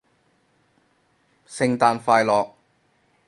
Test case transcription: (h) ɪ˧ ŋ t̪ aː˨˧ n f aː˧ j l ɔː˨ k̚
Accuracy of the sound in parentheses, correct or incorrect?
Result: incorrect